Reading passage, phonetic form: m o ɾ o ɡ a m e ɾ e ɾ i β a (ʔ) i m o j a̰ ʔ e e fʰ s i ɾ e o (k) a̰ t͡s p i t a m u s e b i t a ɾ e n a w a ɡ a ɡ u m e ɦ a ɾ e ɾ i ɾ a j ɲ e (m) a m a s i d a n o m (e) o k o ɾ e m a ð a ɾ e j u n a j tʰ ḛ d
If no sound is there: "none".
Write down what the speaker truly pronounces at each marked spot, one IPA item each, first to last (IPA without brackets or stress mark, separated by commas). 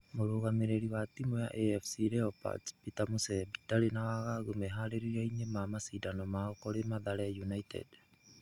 t, p, m, a